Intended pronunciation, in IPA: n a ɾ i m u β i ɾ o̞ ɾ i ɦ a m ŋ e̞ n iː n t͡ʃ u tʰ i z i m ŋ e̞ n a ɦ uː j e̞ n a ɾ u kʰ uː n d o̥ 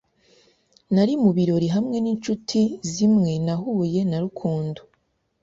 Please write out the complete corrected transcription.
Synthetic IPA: n a ɾ i m u β i ɾ o̞ ɾ i ɦ a m ŋ e̞ n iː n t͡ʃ u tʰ i z i m ŋ e̞ n a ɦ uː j e̞ n a ɾ u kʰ uː n d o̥